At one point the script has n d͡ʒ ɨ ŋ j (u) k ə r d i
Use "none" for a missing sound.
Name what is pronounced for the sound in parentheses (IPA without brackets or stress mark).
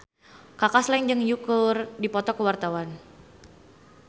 u